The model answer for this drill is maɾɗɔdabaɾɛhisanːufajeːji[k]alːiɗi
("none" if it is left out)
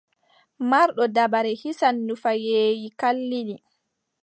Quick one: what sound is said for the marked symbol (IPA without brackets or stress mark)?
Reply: k